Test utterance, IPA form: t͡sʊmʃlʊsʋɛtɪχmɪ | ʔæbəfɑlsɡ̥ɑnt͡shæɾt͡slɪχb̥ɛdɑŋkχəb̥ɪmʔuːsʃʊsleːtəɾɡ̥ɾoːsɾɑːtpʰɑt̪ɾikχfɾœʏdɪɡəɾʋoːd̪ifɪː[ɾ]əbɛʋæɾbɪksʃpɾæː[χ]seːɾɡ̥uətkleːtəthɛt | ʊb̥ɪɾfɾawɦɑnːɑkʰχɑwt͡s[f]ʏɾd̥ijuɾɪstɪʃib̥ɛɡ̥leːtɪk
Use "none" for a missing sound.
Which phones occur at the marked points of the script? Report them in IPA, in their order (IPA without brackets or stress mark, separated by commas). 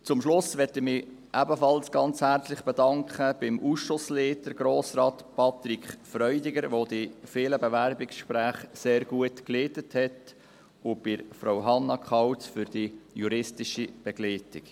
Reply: l, χ, f